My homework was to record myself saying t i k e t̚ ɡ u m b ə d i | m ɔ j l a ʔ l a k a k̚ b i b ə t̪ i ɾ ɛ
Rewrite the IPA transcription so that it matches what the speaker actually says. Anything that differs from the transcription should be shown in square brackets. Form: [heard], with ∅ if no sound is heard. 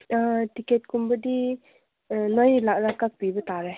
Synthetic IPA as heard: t i k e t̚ [k] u m b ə d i | [n] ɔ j l a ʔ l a k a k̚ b i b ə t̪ [a] ɾ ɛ